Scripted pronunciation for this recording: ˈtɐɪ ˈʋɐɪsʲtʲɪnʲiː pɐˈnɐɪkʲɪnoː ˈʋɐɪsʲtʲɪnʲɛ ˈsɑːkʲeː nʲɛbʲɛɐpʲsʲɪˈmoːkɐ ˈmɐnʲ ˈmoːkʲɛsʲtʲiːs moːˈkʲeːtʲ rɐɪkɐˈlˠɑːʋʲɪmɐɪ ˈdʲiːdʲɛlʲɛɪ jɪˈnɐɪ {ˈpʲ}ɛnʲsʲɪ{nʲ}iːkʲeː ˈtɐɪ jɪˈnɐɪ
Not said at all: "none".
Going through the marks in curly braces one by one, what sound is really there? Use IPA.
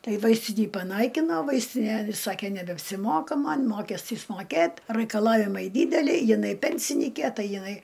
pʲ, nʲ

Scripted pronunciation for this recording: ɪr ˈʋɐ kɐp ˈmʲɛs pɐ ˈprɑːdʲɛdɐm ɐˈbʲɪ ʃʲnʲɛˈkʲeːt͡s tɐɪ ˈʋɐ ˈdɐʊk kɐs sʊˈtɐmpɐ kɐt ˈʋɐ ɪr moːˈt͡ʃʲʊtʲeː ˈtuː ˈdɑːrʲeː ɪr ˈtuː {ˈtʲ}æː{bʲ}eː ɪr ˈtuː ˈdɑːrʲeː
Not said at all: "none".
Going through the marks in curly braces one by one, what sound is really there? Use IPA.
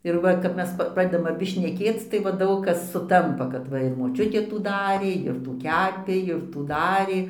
kʲ, pʲ

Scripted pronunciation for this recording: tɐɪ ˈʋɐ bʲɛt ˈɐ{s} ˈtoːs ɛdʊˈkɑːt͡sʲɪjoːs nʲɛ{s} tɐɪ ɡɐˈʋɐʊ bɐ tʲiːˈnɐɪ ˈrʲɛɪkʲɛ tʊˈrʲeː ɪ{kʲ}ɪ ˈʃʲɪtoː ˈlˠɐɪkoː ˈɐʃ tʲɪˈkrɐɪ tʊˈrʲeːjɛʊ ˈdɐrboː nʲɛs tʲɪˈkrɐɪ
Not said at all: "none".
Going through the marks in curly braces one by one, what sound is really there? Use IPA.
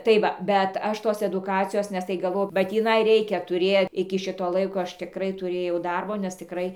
ʃ, s, kʲ

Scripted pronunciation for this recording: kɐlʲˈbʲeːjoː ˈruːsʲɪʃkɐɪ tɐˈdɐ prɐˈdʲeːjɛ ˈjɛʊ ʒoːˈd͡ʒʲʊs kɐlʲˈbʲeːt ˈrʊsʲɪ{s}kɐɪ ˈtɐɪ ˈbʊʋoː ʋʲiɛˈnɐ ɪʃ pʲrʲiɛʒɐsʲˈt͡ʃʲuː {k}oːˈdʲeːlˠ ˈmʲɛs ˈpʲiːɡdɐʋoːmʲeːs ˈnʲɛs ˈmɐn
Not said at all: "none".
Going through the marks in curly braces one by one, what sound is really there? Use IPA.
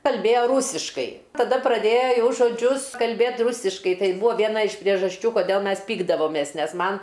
ʃ, k

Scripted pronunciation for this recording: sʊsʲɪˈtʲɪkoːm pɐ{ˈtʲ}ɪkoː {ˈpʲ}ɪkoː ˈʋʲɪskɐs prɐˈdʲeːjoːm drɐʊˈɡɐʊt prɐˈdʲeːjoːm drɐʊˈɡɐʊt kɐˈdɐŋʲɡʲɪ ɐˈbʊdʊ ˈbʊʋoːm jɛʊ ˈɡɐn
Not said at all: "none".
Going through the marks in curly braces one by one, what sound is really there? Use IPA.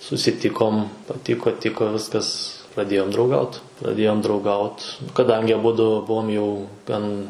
tʲ, tʲ

